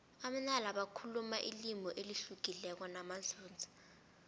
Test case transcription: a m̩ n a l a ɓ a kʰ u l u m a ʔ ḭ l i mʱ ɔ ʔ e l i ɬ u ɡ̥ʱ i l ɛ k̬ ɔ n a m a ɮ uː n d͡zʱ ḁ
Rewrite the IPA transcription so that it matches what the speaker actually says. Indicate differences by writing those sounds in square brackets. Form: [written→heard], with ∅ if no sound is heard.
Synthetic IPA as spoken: a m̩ n a l a ɓ a kʰ u l u m a ʔ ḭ l i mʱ ɔ ʔ e l i ɬ u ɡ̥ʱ i l ɛ k̬ ɔ n a m a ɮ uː n d͡zʱ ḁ